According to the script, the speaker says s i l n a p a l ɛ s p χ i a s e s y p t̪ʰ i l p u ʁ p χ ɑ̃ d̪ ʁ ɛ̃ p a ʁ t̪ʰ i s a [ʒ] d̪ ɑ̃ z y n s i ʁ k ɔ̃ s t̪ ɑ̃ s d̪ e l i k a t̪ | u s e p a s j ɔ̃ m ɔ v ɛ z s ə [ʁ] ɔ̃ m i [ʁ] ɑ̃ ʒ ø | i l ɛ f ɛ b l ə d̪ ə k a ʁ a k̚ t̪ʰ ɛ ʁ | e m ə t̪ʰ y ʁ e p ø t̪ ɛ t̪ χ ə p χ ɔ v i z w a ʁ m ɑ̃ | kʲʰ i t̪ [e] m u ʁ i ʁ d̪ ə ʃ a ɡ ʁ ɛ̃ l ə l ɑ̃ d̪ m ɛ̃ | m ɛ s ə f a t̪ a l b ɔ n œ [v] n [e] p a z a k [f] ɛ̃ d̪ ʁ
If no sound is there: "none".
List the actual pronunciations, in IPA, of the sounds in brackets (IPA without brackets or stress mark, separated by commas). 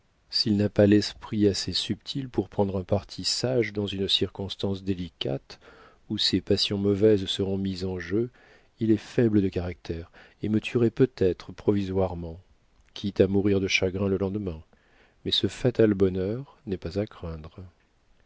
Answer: ʒ, ʁ, z, a, ʁ, ɛ, χ